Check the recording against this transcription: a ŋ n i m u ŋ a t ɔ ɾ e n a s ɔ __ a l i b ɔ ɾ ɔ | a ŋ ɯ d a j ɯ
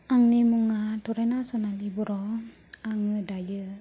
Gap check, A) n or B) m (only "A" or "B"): A